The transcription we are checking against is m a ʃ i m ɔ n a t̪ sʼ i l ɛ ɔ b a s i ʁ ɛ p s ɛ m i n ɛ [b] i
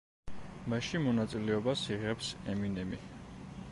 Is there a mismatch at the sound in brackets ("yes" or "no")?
yes